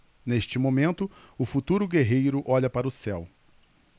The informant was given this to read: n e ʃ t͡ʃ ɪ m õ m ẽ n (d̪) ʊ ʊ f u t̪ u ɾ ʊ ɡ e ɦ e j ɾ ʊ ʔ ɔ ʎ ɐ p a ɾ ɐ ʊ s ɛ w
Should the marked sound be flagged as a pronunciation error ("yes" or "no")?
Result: yes